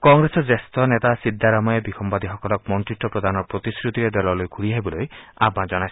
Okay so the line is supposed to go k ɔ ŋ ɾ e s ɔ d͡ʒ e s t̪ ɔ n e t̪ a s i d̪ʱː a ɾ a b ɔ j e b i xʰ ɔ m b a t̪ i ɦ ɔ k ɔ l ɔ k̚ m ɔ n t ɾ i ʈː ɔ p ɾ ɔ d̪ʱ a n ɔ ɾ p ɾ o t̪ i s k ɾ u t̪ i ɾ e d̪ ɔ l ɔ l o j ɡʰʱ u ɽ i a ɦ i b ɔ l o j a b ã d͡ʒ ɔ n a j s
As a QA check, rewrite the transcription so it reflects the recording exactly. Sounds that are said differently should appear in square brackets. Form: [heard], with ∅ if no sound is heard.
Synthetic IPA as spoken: k ɔ ŋ ɾ e s ɔ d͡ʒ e s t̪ ɔ n e t̪ a s i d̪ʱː a ɾ a [m] ɔ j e b i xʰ ɔ m b a [d̪] i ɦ ɔ k ɔ l ɔ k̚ m ɔ n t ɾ i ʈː ɔ p ɾ ɔ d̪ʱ a n ɔ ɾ p ɾ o t̪ i s k ɾ u t̪ i ɾ e d̪ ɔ l ɔ l o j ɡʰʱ u ɽ i a ɦ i b ɔ l o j a b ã d͡ʒ ɔ n a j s